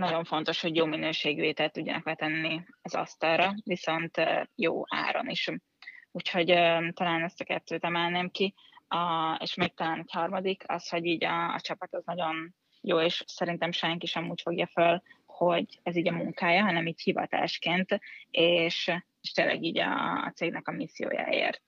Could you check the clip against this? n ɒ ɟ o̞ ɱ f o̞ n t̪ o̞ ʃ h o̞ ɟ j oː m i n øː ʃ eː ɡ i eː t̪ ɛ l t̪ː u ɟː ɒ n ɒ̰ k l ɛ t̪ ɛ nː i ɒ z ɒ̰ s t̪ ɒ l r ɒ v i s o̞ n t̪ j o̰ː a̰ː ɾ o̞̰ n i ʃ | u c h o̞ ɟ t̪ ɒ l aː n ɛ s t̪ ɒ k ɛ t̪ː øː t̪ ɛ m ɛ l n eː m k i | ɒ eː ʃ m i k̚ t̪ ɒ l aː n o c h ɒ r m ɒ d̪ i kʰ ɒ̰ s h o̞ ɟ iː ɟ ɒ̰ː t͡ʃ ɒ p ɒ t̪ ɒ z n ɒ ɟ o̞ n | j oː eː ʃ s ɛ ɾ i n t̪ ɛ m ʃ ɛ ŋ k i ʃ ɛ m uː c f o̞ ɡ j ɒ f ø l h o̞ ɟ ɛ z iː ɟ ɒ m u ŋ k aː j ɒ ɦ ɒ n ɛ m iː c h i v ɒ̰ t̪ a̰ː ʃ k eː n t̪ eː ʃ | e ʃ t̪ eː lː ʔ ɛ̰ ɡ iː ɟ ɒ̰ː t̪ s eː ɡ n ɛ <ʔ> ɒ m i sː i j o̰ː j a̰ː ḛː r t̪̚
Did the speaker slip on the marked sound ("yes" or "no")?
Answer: yes